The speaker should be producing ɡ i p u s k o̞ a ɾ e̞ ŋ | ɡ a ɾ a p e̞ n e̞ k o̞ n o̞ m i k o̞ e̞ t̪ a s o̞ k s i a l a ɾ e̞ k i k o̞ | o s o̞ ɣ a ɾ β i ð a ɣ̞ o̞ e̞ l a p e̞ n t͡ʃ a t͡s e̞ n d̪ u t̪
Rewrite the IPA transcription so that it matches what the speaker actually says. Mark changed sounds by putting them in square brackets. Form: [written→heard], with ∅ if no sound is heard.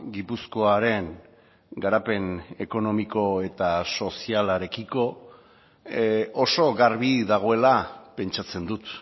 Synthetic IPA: ɡ i p u s k o̞ a ɾ e̞ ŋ | ɡ a ɾ a p e̞ n e̞ k o̞ n o̞ m i k o̞ e̞ t̪ a s o̞ [k→∅] s i a l a ɾ e̞ k i k o̞ | o s o̞ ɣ a ɾ β i ð a ɣ̞ o̞ e̞ l a p e̞ n t͡ʃ a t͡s e̞ n d̪ u t̪

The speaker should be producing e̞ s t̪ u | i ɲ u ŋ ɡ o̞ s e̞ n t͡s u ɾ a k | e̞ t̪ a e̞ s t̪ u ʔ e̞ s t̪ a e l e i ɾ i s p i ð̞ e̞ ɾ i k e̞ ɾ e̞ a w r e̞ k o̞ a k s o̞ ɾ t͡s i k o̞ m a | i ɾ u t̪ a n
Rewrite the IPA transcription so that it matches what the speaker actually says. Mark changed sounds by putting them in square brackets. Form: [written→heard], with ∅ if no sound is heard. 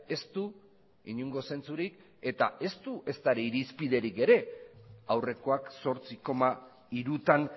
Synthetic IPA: e̞ s t̪ u | i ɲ u ŋ ɡ o̞ s e̞ n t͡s u ɾ [a→i] k | e̞ t̪ a e̞ s t̪ u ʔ e̞ s t̪ a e [l→ɾ] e i ɾ i s p i ð̞ e̞ ɾ i k e̞ ɾ e̞ a w r e̞ k o̞ a k s o̞ ɾ t͡s i k o̞ m a | i ɾ u t̪ a n

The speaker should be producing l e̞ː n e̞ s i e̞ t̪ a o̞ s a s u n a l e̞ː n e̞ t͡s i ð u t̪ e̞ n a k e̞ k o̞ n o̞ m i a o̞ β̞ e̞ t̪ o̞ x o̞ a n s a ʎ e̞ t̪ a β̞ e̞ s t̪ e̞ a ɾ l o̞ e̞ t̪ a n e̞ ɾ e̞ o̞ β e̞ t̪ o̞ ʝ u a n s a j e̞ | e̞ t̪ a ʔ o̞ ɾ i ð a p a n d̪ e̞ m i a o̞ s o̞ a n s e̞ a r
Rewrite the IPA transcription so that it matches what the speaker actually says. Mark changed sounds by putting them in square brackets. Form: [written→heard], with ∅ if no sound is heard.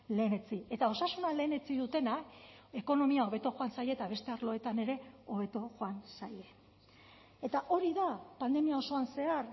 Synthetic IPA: l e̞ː n e̞ [s→t͡s] i e̞ t̪ a o̞ s a s u n a l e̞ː n e̞ t͡s i ð u t̪ e̞ n a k e̞ k o̞ n o̞ m i a o̞ β̞ e̞ t̪ o̞ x o̞ a n s a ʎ e̞ t̪ a β̞ e̞ s t̪ e̞ a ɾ l o̞ e̞ t̪ a n e̞ ɾ e̞ o̞ β e̞ t̪ o̞ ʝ [u→o] a n s a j e̞ | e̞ t̪ a ʔ o̞ ɾ i ð a p a n d̪ e̞ m i a o̞ s o̞ a n s e̞ a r

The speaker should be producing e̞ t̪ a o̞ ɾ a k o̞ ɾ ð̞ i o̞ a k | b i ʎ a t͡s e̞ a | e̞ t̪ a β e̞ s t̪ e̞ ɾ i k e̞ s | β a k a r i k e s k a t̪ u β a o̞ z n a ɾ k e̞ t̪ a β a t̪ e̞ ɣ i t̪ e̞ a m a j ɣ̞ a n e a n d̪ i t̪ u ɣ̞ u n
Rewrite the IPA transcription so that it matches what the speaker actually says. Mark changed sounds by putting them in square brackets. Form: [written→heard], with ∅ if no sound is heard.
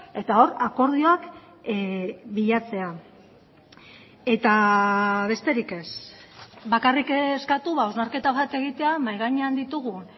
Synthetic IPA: e̞ t̪ a o̞ ɾ a k o̞ ɾ ð̞ i o̞ a k | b i ʎ a t͡s e̞ a | e̞ t̪ a β e̞ s t̪ e̞ ɾ i k e̞ s | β a k a r i k e s k a t̪ u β a o̞ z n a ɾ k e̞ t̪ a β a t̪ e̞ ɣ i t̪ e̞ a m a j ɣ̞ a [n→ɲ] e a n d̪ i t̪ u ɣ̞ u n

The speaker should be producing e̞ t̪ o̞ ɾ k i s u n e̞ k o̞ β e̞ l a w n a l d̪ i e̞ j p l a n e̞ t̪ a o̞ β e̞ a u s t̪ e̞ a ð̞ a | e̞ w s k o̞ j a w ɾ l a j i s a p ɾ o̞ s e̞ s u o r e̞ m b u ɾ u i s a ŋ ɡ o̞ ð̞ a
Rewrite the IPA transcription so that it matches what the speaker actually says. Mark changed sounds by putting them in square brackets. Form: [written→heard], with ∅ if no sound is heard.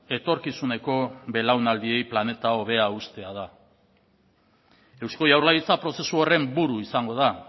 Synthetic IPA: e̞ t̪ o̞ ɾ k i s u n e̞ k o̞ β e̞ l a w n a l d̪ i e̞ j p l a n e̞ t̪ a o̞ β e̞ a u s t̪ e̞ a ð̞ a | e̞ w s k o̞ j a w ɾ l a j i [s→t͡s] a p ɾ o̞ s e̞ s u o r e̞ m b u ɾ u i s a ŋ ɡ o̞ ð̞ a

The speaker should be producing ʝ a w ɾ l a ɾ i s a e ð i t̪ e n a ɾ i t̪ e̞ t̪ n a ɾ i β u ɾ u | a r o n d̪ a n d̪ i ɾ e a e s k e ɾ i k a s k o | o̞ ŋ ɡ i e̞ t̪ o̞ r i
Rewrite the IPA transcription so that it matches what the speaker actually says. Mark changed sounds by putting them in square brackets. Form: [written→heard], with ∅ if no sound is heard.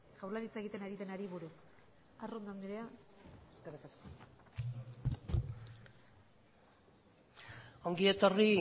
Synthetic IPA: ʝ a w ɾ l a ɾ i [s→t͡s] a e [ð→ɣ] i t̪ e n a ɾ i t̪ e̞ [t̪→∅] n a ɾ i β u ɾ u | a r o n d̪ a n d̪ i ɾ e a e s k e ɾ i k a s k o | o̞ ŋ ɡ i e̞ t̪ o̞ r i

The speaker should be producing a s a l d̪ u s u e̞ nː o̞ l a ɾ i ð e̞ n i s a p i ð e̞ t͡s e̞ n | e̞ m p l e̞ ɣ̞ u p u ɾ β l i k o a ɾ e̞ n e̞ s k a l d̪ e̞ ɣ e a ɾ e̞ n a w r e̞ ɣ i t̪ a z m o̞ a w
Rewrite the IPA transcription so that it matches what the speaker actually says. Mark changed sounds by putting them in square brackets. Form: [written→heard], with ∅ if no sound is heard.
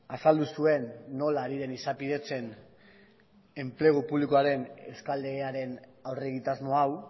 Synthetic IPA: a s a l d̪ u s u e̞ nː o̞ l a ɾ i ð e̞ n i s a p i ð e̞ t͡s e̞ n | e̞ m p l e̞ ɣ̞ u p u [ɾ→∅] β l i k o a ɾ e̞ n e̞ s k a l d̪ e̞ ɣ e a ɾ e̞ n a w r e̞ ɣ i t̪ a z m o̞ a w

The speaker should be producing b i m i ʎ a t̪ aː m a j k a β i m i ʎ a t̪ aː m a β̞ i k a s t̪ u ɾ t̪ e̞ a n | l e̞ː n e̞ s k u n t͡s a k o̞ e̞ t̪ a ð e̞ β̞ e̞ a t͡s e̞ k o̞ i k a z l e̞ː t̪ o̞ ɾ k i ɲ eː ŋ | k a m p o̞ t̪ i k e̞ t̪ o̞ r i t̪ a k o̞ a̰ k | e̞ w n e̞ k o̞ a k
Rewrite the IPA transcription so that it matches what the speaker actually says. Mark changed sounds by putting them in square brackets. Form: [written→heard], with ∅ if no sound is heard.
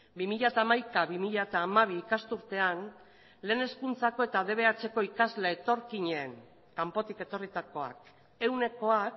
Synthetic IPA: b i m i ʎ a t̪ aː m a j k a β i m i ʎ a t̪ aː m a β̞ [i→iː] k a s t̪ u ɾ t̪ e̞ a n | l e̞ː n e̞ s k u n t͡s a k o̞ e̞ t̪ a ð e̞ β̞ e̞ a t͡s e̞ k o̞ i k a z l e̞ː t̪ o̞ ɾ k i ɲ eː ŋ | k a m p o̞ t̪ i k e̞ t̪ o̞ r i t̪ a k o̞ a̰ k | e̞ w n e̞ k o̞ a k

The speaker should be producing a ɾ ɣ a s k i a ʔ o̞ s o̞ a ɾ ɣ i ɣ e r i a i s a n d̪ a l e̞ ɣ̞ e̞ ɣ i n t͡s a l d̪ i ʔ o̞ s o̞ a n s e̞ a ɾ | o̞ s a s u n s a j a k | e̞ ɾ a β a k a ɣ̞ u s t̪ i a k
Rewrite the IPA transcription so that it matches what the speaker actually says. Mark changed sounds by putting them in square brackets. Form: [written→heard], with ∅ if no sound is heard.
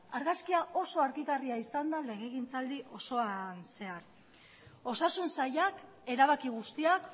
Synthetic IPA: a ɾ ɣ a s k i a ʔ o̞ s o̞ a ɾ ɣ i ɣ [e→a] r i a i s a n d̪ a l e̞ ɣ̞ e̞ ɣ i n t͡s a l d̪ i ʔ o̞ s o̞ a n s e̞ a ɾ | o̞ s a s u n s a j a k | e̞ ɾ a β a k [a→i] ɣ̞ u s t̪ i a k

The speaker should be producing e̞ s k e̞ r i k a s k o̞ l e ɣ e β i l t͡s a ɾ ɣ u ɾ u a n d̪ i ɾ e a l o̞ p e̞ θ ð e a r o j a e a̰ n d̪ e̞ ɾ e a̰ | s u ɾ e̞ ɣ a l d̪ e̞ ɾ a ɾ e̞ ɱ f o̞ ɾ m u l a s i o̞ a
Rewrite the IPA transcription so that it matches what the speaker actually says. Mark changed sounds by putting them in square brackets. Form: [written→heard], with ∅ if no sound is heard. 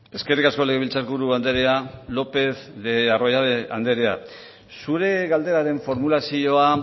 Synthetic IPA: e̞ s k e̞ r i k a s k o̞ l e ɣ e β i l t͡s a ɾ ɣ u ɾ u a n d̪ [i→e] ɾ e a l o̞ p e̞ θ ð e a r o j a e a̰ n d̪ e̞ ɾ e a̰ | s u ɾ e̞ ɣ a l d̪ e̞ ɾ a ɾ e̞ ɱ f o̞ ɾ m u l a s i o̞ a

